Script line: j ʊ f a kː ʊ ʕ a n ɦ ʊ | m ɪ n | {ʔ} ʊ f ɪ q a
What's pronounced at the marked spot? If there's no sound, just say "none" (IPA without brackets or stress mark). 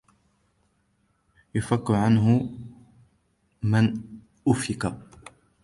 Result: ʔ